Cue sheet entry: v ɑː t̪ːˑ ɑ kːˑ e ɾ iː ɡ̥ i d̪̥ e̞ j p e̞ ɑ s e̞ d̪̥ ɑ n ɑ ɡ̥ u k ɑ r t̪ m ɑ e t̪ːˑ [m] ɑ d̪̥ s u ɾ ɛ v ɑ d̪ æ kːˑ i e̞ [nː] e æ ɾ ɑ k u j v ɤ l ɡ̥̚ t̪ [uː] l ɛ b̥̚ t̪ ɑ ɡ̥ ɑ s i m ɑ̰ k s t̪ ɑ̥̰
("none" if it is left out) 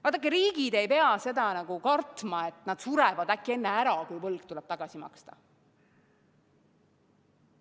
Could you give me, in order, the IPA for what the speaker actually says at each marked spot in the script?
n, nː, u

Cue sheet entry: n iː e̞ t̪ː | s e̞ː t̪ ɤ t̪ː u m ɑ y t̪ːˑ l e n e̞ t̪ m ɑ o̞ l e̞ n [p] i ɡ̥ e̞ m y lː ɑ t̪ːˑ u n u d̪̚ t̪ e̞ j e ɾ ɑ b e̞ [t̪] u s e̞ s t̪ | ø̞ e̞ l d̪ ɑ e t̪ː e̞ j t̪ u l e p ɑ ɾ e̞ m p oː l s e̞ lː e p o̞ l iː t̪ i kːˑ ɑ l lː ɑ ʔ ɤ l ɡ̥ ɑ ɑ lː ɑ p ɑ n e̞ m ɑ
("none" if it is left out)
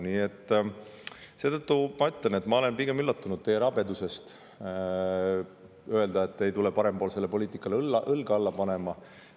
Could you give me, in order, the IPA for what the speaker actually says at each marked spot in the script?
p, d̪

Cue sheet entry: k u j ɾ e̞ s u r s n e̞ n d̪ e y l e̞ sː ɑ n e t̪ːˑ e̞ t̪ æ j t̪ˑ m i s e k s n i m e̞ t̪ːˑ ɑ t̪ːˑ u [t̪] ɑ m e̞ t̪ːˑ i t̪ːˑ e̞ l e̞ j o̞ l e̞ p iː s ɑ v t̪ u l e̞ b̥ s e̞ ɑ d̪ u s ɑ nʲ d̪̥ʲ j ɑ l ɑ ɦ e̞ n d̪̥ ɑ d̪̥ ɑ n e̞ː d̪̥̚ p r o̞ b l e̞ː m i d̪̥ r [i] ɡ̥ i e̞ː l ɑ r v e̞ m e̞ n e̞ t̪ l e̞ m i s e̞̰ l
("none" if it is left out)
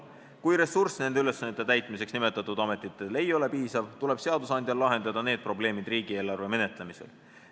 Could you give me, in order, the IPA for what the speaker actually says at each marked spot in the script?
d̪, iː

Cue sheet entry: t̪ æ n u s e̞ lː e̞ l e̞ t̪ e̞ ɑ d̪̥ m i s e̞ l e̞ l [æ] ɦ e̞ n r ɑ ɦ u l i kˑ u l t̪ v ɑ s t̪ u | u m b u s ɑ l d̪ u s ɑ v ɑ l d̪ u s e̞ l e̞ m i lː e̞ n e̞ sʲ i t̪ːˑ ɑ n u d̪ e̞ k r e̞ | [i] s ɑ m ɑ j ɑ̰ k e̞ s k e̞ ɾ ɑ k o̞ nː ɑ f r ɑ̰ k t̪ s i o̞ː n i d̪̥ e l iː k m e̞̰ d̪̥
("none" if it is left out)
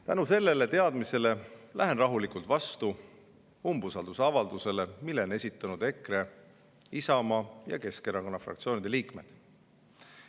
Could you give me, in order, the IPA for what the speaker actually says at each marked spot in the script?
æ, i

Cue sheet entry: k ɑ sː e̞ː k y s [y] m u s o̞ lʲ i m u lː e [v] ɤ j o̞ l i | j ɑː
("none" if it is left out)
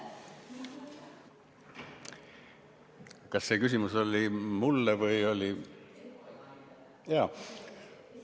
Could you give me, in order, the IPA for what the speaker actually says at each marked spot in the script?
i, v

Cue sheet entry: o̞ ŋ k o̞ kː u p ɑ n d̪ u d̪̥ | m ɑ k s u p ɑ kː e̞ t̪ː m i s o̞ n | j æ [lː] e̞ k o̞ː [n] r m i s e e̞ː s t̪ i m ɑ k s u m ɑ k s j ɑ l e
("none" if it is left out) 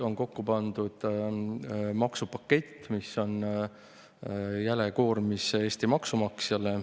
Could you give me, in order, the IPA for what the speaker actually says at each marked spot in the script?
l, none

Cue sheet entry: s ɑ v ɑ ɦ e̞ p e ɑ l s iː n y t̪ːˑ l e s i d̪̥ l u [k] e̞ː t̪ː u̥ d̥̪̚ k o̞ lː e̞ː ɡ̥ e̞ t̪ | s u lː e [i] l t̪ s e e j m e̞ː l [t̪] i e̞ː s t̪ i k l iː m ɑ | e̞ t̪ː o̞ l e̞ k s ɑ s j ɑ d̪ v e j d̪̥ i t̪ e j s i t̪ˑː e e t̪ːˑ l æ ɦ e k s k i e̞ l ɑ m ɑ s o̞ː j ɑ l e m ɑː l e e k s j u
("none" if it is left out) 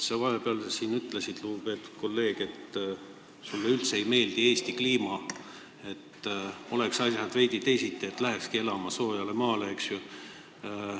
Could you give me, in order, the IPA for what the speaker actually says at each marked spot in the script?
p, y, d̪

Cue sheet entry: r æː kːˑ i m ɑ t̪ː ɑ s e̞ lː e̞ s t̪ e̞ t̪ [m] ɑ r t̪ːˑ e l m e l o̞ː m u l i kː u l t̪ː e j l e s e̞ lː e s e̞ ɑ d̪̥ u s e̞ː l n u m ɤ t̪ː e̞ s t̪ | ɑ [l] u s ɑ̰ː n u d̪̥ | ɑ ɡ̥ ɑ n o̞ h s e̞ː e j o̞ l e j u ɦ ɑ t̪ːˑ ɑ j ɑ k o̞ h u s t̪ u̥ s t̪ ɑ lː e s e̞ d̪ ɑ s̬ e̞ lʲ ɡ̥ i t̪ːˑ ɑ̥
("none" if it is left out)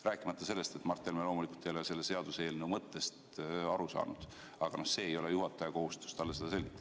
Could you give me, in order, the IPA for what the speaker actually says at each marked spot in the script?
m, ɾ

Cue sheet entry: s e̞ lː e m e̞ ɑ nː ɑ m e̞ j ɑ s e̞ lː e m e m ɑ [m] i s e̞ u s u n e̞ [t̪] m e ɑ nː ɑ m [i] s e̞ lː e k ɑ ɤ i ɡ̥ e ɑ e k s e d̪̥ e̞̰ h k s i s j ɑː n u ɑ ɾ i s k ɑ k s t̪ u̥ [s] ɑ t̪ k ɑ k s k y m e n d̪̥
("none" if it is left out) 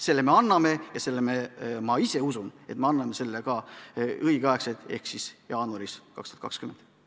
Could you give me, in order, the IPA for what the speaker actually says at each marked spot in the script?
none, t̪, e, none

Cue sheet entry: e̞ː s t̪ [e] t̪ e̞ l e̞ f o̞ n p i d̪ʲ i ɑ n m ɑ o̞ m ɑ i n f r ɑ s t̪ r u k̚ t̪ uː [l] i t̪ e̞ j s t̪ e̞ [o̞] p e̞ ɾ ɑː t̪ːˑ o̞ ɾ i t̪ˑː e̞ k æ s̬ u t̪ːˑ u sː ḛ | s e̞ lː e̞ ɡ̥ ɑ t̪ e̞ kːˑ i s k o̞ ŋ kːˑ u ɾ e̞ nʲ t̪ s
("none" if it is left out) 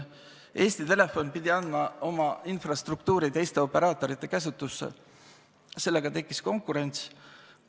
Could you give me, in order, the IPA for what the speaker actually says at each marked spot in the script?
i, ɾ, o̞

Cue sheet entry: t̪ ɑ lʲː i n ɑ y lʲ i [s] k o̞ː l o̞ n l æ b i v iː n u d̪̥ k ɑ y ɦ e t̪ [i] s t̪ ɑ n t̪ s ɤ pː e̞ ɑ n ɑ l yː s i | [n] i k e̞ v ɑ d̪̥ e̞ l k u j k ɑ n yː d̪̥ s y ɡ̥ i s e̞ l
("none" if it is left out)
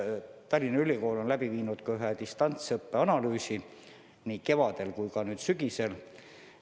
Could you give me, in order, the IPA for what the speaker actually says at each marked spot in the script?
none, i, n

